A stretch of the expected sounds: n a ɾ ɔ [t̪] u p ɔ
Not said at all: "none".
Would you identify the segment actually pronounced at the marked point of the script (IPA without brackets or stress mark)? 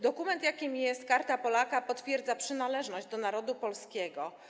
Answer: d̪